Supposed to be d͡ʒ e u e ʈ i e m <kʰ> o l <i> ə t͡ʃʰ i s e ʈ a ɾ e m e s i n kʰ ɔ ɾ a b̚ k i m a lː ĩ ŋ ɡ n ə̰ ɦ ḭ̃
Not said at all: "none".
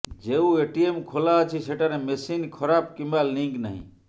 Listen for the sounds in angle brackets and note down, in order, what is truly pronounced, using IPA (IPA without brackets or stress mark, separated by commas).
kʰ, a